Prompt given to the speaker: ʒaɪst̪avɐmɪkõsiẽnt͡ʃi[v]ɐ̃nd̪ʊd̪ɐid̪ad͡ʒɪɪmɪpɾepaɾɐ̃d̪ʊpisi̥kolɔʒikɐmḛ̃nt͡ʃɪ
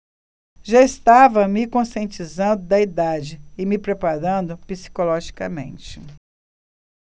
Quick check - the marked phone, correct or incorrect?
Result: incorrect